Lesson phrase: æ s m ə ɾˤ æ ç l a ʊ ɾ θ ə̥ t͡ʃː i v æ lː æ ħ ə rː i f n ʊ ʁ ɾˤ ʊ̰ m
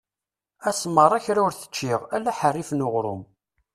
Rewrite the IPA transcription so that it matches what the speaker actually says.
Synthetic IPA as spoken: æ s m ə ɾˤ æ ç ɾ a ʊ ɾ θ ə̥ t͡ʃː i ʁ æ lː æ ħ ə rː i f n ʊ ʁ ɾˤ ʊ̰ m